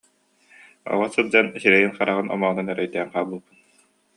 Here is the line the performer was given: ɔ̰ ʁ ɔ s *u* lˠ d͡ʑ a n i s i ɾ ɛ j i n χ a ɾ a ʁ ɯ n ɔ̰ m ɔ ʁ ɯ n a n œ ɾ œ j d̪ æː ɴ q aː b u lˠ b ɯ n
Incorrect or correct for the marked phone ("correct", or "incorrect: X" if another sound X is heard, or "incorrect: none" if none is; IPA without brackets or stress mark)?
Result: incorrect: ɯ